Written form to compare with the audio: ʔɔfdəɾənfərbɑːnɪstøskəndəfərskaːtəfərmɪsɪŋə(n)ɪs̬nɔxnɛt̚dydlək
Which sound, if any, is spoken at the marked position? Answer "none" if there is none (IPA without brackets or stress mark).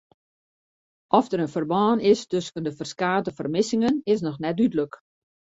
n